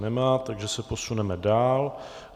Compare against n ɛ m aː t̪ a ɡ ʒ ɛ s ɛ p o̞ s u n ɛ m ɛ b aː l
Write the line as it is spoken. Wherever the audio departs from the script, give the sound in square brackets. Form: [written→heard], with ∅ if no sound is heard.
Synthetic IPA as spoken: n ɛ m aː t̪ a ɡ ʒ ɛ s ɛ p o̞ s u n ɛ m ɛ [b→d] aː l

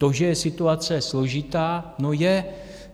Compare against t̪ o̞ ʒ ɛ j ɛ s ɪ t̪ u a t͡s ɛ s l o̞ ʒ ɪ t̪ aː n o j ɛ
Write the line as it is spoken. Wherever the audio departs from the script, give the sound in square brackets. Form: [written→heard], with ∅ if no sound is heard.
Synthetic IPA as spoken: t̪ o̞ ʒ ɛ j ɛ s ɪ t̪ u a t͡s ɛ s l o̞ ʒ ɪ t̪ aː n o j ɛ

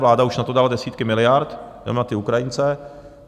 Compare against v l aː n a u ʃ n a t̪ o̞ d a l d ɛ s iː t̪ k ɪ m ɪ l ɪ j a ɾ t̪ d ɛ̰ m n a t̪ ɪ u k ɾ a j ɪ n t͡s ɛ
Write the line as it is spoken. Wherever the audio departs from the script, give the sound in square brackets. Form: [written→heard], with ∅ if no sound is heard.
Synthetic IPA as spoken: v l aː [n→d] a u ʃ n a t̪ o̞ d a l d ɛ s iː t̪ k ɪ m ɪ l ɪ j a ɾ t̪ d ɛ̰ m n a t̪ ɪ u k ɾ a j ɪ n t͡s ɛ

